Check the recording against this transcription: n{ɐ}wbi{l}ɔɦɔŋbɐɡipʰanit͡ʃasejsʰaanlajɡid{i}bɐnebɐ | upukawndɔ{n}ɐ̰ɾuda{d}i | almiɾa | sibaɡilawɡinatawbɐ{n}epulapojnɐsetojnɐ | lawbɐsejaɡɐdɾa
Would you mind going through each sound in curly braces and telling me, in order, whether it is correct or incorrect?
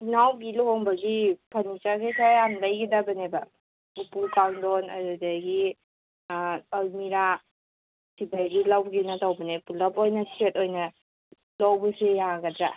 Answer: incorrect, correct, incorrect, correct, incorrect, correct

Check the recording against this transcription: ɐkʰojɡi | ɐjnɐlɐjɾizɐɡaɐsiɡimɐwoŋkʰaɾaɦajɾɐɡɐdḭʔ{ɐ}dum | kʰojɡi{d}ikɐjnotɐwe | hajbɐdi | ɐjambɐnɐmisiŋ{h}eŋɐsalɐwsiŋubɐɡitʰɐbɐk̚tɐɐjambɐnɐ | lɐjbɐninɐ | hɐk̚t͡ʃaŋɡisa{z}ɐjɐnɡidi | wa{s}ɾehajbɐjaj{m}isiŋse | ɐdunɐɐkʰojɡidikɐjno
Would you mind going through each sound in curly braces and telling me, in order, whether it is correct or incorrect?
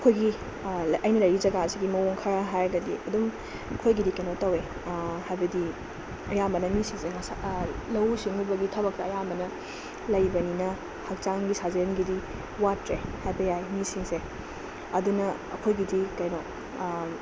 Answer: correct, correct, incorrect, correct, incorrect, correct

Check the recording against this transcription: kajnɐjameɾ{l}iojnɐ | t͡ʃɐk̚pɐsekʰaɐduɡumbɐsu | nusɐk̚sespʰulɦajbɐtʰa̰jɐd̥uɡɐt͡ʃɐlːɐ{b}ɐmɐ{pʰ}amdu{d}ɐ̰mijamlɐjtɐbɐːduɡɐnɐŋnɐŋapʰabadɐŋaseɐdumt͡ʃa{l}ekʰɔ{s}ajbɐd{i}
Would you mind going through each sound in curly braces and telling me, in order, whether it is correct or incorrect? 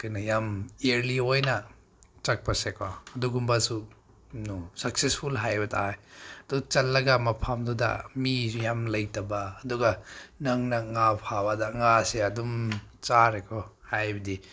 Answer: correct, incorrect, correct, correct, incorrect, incorrect, correct

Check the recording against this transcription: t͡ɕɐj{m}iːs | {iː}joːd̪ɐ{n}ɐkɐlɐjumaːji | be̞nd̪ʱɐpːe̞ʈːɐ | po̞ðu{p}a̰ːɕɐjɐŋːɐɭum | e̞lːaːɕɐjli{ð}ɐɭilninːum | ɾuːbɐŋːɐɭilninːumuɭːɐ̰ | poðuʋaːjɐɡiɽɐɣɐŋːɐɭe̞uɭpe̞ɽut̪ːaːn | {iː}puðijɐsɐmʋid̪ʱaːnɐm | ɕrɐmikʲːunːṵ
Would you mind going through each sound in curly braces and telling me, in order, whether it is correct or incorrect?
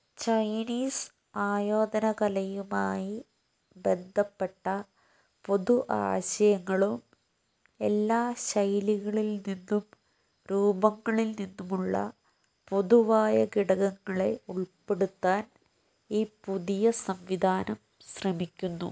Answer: incorrect, incorrect, correct, incorrect, incorrect, correct

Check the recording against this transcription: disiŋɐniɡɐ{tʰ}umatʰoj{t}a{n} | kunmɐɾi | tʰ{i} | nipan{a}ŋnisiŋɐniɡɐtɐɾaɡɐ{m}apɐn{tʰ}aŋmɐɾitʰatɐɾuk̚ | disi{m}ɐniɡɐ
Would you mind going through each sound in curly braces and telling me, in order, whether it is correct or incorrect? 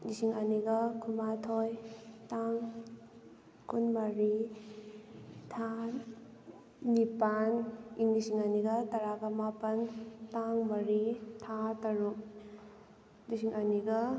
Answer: incorrect, correct, incorrect, incorrect, incorrect, correct, incorrect, incorrect

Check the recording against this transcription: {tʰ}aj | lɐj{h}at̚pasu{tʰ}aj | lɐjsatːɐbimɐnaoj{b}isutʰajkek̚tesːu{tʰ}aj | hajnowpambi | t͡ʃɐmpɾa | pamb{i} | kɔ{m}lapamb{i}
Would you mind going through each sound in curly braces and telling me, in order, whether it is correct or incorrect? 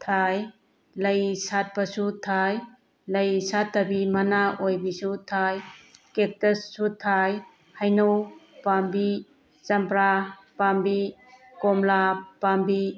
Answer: correct, incorrect, correct, correct, correct, correct, correct, correct

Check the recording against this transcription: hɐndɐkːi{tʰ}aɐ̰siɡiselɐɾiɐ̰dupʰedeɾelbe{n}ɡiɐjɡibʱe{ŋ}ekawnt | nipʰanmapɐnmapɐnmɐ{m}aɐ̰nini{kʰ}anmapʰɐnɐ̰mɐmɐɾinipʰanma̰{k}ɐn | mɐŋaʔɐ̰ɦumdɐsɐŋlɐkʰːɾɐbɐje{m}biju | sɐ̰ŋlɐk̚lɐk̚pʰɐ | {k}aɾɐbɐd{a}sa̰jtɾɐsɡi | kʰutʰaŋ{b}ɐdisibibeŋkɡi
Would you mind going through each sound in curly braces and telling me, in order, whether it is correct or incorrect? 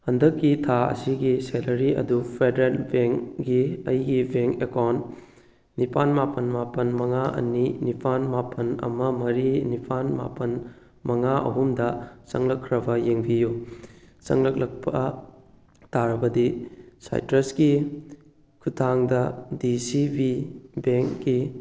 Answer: correct, incorrect, correct, incorrect, incorrect, incorrect, incorrect, incorrect, incorrect, incorrect

